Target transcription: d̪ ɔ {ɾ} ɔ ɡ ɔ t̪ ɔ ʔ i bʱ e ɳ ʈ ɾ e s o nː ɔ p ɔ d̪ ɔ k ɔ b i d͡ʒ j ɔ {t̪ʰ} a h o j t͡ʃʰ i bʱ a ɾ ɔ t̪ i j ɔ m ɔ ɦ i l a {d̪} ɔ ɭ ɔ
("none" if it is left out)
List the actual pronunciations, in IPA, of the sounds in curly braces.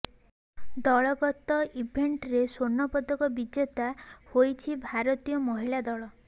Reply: ɭ, t̪, d̪

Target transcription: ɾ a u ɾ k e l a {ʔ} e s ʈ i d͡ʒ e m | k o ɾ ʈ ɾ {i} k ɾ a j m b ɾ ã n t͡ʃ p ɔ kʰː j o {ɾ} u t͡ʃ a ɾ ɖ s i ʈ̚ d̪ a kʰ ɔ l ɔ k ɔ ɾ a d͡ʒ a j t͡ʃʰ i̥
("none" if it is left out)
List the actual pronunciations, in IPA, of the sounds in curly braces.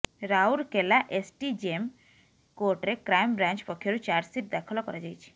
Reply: ʔ, e, ɾ

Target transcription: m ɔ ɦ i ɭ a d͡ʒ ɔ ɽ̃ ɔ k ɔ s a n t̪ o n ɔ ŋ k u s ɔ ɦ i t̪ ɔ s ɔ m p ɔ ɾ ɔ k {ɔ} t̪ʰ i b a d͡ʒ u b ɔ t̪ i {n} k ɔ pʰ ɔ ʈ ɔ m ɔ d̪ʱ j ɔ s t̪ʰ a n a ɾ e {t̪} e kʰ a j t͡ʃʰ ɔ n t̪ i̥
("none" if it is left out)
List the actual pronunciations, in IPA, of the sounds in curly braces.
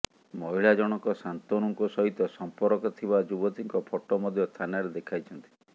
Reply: ɔ, ŋ, d̪

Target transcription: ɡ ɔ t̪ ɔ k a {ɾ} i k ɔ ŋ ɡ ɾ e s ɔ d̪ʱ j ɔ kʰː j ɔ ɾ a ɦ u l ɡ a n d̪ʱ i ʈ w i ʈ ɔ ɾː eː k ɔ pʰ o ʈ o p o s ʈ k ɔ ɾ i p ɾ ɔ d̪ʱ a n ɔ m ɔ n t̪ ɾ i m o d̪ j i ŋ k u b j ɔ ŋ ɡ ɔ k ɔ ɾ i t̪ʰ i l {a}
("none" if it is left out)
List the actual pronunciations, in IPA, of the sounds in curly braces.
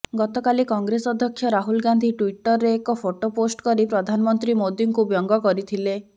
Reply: l, e

